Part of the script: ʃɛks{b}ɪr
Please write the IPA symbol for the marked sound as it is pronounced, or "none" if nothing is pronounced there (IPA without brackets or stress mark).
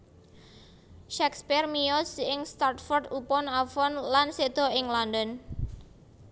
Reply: p